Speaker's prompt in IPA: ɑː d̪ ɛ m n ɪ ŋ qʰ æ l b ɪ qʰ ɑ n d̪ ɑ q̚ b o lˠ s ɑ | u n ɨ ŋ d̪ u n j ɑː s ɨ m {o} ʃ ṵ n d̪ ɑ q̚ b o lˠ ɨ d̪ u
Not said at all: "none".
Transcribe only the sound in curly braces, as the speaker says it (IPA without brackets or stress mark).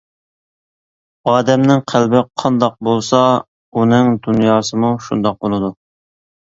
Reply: u